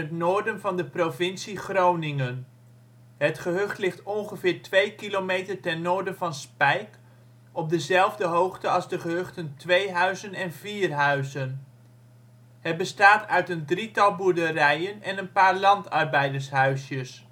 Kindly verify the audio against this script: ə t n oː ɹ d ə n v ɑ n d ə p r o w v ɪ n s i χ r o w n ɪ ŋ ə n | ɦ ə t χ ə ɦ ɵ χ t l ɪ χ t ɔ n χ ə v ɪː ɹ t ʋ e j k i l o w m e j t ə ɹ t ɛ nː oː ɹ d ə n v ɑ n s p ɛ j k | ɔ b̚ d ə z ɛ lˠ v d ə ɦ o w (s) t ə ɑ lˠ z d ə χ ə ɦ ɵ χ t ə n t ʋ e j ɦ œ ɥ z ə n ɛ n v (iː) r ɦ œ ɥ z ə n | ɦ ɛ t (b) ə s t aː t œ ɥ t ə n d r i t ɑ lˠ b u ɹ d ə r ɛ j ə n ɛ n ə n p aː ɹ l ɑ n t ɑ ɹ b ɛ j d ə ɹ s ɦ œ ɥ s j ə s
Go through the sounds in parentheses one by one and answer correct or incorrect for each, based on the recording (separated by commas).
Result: incorrect, correct, correct